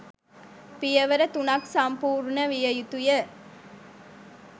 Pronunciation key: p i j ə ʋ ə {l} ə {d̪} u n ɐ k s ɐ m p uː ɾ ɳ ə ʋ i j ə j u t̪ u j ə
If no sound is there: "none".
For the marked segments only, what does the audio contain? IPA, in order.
ɾ, t̪

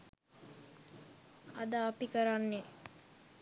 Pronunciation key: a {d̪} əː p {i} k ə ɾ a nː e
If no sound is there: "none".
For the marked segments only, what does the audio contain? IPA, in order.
d̪, i

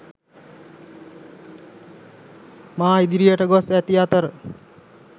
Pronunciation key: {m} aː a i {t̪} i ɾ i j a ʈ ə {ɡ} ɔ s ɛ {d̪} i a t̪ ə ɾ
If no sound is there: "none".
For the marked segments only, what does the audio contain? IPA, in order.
m, d̪, ɡ, t̪

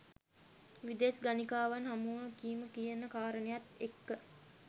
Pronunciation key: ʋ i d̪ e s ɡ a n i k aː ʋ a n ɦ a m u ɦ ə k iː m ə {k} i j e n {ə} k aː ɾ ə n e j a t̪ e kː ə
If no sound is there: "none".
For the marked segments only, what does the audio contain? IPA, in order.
k, ə

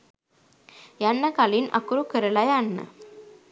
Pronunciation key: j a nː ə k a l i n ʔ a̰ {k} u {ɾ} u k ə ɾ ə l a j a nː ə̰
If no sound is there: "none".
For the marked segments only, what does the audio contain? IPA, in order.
k, ɾ

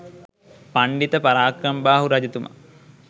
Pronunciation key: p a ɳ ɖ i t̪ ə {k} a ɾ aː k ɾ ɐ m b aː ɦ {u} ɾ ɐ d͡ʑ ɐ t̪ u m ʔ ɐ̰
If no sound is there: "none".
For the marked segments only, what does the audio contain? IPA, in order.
p, u

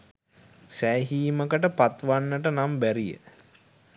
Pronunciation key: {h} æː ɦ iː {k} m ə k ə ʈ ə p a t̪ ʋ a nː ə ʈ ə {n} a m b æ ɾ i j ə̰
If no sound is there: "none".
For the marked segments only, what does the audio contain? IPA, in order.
s, none, n

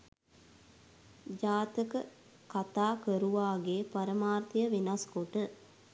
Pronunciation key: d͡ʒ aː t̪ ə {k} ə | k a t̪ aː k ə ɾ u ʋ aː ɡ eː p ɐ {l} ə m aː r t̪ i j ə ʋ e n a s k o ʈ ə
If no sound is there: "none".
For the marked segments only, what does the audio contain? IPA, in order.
k, ɾ

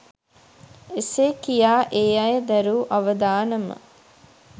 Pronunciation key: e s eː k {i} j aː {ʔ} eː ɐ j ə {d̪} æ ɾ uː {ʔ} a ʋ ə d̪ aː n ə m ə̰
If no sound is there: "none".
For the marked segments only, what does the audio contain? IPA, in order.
i, ʔ, d̪, ʔ

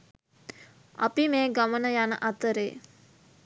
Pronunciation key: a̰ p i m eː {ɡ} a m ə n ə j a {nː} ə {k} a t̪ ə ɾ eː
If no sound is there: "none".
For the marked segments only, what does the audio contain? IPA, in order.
ɡ, n, ʔ

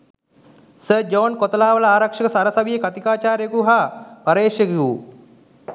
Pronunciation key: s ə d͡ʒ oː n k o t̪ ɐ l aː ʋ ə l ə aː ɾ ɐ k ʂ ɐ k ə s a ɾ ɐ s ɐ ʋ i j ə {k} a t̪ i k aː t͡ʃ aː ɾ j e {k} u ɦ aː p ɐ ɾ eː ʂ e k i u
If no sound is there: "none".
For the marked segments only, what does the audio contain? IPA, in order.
k, k

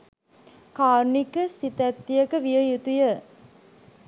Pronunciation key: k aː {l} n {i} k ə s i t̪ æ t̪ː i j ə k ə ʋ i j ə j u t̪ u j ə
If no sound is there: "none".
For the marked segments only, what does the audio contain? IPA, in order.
ɾ, i

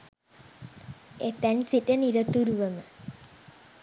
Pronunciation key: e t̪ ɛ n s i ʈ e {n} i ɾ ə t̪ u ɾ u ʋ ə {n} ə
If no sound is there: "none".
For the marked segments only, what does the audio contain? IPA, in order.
n, m

